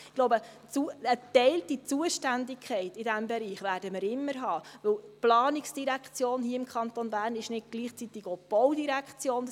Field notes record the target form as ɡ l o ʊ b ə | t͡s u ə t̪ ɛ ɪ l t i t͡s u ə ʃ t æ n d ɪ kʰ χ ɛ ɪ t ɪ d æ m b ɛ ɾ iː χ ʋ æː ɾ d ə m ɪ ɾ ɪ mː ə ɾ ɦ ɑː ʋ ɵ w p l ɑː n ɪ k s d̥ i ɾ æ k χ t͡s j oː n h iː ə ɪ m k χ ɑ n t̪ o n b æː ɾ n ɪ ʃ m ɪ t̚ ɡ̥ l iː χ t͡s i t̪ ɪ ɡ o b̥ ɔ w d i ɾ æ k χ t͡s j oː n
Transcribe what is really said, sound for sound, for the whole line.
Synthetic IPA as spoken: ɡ l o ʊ b ə | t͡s u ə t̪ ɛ ɪ l t i t͡s u ə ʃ t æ n d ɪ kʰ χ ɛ ɪ t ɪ d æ m b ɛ ɾ iː χ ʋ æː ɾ d ə m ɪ ɾ ɪ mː ə ɾ ɦ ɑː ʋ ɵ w p l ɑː n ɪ k s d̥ i ɾ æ k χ t͡s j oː n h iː ə ɪ m k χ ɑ n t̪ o n b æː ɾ n ɪ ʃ n ɪ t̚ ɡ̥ l iː χ t͡s i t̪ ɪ ɡ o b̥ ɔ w d i ɾ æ k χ t͡s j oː n

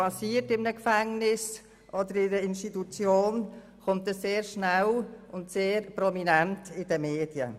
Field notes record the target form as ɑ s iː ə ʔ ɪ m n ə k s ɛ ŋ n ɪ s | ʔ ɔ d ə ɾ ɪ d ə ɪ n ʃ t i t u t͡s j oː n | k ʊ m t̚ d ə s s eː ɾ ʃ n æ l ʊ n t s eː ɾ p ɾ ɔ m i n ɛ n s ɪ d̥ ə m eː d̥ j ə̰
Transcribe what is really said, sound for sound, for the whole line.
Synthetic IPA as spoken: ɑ s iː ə t ɪ m n ə k f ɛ ŋ n ɪ s | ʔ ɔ d ə ɾ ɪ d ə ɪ n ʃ t i t u t͡s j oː n | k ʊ m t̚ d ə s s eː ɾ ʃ n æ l ʊ n t s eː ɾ p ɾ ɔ m i n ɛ n t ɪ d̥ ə m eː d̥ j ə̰

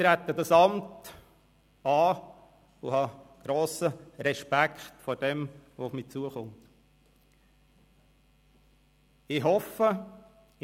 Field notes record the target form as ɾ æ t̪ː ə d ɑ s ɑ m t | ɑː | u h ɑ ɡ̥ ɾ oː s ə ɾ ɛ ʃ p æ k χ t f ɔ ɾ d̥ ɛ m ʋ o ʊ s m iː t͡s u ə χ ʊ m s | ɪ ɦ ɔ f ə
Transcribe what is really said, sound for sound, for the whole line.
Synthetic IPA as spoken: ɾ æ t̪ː ə d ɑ s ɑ m t | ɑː | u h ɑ ɡ̥ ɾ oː s ə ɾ ɛ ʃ p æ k χ t f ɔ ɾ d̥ ɛ m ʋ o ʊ f m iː t͡s u ə χ ʊ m t | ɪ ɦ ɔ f ə

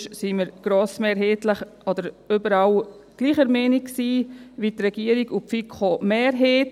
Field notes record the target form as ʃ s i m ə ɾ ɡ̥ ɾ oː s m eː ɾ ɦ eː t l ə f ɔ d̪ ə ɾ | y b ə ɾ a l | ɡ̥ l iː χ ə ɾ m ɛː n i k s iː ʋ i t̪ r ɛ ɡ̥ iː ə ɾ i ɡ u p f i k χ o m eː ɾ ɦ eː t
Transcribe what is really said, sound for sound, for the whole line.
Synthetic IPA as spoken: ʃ s i m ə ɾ ɡ̥ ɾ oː s m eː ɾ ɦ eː t l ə χ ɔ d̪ ə ɾ | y b ə ɾ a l | ɡ̥ l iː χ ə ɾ m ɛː n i k s iː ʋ i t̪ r ɛ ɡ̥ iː ə ɾ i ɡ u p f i k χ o m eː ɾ ɦ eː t

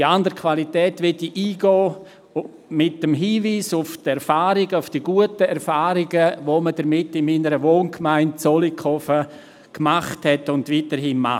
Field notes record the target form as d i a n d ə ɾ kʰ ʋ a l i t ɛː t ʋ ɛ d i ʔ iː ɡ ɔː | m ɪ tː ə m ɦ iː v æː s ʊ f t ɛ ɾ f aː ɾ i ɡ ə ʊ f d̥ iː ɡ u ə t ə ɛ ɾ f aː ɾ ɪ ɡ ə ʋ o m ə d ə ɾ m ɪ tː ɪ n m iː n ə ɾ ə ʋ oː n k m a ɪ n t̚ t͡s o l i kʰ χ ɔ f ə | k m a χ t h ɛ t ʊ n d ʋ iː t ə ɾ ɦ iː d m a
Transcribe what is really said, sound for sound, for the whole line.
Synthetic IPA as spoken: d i a n d ə ɾ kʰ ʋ a l i t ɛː t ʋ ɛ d i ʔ iː ɡ ɔː | m ɪ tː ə m ɦ iː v iː s ʊ f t ɛ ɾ f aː ɾ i ɡ ə ʊ f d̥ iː ɡ u ə t ə ɛ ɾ f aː ɾ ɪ ɡ ə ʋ o m ə d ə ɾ m ɪ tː ɪ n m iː n ə ɾ ə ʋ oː n k m a ɪ n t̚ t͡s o l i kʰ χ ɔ f ə | k m a χ t h ɛ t ʊ n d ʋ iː t ə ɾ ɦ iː n m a

